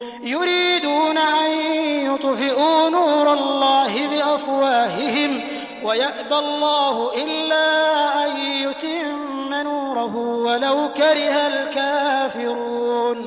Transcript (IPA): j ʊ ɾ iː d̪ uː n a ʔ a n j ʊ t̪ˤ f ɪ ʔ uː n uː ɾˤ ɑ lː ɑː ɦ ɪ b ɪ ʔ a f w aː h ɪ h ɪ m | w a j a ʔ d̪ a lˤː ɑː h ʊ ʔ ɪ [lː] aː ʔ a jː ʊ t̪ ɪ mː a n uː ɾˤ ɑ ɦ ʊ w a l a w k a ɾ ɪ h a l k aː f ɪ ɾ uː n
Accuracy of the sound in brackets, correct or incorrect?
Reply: correct